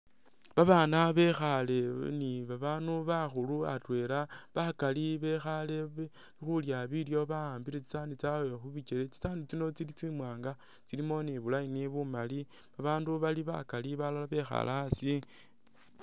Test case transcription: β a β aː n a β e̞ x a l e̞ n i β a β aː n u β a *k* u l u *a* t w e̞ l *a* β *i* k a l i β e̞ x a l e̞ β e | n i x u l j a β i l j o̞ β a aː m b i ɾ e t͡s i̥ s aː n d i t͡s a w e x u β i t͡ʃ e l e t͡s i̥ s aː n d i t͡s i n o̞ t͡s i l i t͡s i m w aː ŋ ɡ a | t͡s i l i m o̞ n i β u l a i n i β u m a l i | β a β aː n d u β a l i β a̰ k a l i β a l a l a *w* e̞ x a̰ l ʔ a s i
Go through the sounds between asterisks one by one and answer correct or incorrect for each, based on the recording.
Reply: incorrect: x, correct, correct, incorrect: a, incorrect: β

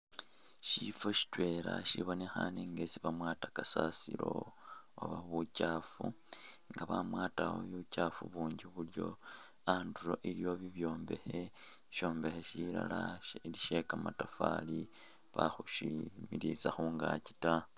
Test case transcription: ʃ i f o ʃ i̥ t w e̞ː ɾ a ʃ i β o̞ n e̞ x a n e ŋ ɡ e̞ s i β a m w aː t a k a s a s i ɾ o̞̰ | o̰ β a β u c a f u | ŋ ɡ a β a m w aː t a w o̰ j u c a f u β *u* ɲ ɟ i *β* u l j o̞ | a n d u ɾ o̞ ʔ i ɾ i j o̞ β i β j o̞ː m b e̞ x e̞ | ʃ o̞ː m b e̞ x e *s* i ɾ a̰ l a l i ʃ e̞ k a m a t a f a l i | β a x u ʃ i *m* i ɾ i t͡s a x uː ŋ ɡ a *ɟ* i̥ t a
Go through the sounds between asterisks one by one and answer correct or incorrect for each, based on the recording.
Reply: incorrect: uː, correct, incorrect: ʃ, correct, incorrect: c

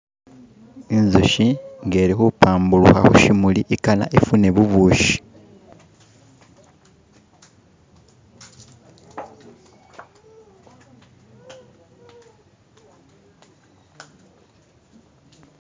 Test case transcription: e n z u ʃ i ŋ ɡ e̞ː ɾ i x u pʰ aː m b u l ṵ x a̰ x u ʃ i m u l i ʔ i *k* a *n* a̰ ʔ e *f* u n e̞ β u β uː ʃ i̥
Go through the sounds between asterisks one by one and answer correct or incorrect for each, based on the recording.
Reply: correct, correct, correct

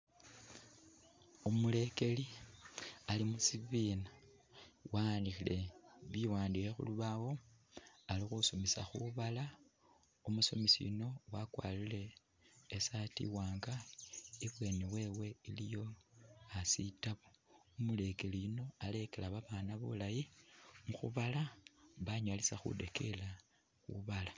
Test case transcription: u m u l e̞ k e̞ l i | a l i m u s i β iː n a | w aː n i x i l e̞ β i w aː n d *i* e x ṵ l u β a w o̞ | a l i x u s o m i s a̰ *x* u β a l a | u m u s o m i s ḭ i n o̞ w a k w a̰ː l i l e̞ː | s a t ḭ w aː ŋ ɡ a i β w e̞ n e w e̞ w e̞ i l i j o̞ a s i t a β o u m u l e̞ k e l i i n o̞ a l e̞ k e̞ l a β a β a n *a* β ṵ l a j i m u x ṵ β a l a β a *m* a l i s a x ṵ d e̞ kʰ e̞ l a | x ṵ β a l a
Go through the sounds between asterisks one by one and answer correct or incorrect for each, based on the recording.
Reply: correct, correct, correct, incorrect: ɲ

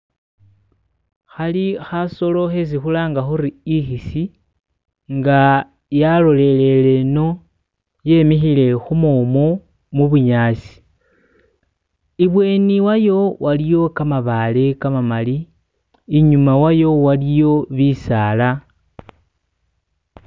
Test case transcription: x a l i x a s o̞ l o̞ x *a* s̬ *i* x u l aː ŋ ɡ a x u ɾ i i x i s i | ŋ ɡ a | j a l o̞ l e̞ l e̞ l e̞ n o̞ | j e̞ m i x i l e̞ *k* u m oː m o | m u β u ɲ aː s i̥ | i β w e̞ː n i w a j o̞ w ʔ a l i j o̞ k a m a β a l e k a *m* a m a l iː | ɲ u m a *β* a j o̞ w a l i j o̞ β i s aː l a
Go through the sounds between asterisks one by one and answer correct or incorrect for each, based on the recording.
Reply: incorrect: e, correct, incorrect: x, correct, incorrect: w

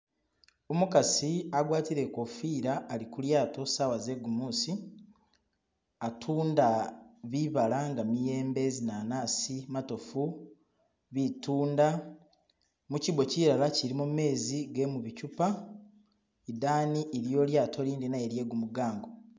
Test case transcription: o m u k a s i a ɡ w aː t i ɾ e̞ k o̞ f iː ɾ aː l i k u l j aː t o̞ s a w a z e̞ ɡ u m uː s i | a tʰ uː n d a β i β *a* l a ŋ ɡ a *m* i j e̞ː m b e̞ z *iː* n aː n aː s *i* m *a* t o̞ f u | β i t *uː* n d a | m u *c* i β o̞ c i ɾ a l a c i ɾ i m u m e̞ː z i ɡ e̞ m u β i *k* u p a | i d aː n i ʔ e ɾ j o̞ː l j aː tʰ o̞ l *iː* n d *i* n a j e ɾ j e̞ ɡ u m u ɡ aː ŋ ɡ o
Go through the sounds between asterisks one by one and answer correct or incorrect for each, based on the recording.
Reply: correct, correct, incorrect: i, correct, correct, correct, correct, incorrect: c, correct, correct

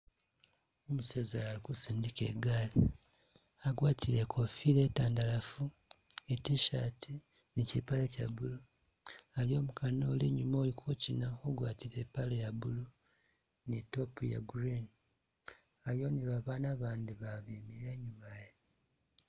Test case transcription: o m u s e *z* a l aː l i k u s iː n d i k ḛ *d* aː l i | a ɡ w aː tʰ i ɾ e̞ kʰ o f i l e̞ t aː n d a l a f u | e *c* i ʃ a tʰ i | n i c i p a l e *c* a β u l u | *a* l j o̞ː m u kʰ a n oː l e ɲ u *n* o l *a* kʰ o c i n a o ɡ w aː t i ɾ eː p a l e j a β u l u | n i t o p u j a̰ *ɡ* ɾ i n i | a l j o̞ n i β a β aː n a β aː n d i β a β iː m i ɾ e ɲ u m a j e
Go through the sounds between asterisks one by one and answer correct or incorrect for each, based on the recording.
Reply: correct, incorrect: ɡ, incorrect: t, correct, correct, incorrect: m, incorrect: i, correct

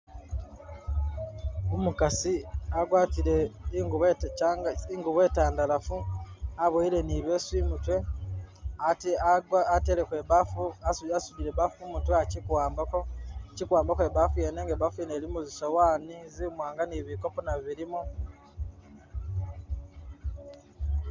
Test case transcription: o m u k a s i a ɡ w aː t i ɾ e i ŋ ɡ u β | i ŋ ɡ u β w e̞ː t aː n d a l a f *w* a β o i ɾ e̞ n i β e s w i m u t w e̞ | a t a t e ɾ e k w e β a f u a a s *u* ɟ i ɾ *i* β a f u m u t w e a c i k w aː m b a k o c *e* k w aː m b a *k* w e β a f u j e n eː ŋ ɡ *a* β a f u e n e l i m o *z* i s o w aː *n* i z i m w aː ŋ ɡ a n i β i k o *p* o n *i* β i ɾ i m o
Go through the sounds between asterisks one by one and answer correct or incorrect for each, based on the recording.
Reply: incorrect: u, correct, incorrect: e, incorrect: i, correct, incorrect: e, correct, correct, correct, incorrect: a

